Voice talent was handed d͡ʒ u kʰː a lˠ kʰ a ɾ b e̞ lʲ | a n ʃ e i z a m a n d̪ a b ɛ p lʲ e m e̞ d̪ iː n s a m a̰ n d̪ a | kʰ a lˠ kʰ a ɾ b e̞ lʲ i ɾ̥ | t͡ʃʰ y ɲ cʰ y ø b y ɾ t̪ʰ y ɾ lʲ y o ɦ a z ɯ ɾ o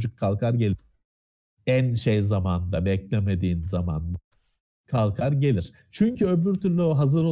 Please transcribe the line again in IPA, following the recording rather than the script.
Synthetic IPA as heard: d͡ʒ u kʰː a lˠ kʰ a ɾ ɟ e̞ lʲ | æ n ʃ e j z a m a n d̪ a b ɛ c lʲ e m e̞ d̪ iː n z a m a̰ n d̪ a | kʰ a lˠ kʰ a ɾ ɟ e̞ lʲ i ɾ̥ | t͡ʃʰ y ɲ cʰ y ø b y ɾ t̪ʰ y ɾ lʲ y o ɦ a z ɯ ɾ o